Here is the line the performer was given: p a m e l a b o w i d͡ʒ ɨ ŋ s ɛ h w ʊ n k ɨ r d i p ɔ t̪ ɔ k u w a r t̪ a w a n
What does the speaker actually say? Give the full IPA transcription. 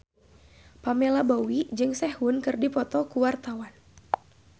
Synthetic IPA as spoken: p a m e l a b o w i d͡ʒ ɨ ŋ s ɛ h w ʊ n k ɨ r d i p ɔ t̪ ɔ k u w a r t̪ a w a n